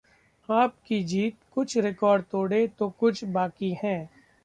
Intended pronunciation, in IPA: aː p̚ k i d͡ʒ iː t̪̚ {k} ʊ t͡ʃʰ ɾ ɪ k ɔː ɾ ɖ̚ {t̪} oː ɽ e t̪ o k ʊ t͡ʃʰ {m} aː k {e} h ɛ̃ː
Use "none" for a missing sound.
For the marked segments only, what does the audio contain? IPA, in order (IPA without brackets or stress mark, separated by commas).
k, t̪, b, i